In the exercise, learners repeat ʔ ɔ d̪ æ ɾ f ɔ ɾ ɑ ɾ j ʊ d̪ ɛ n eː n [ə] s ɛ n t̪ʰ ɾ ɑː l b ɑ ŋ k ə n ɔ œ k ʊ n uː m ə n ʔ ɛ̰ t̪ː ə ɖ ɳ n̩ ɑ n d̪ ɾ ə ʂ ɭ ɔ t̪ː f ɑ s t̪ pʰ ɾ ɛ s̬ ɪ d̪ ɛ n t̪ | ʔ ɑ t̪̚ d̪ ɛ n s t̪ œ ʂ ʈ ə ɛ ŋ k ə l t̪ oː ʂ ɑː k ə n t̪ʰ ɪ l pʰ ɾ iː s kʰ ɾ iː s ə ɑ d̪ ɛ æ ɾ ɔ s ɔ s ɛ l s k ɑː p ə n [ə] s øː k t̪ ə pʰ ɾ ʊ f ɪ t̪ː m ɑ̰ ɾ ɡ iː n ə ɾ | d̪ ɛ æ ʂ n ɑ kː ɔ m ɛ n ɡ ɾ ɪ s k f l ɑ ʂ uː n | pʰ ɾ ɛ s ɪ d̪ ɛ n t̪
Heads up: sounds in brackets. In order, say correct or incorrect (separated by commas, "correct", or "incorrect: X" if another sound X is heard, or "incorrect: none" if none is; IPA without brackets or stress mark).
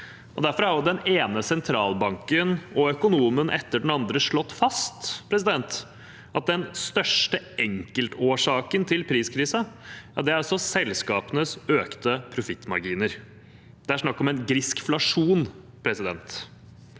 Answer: correct, correct